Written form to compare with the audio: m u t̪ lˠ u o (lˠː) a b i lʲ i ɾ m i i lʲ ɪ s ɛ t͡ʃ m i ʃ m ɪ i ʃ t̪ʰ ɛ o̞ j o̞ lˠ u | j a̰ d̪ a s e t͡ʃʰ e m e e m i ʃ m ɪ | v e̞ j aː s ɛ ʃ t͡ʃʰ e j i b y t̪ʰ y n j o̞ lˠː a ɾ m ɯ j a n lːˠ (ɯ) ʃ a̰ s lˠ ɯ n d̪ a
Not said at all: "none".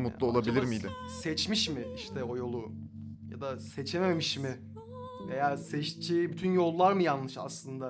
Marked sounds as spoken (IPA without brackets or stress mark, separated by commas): lˠ, ɯ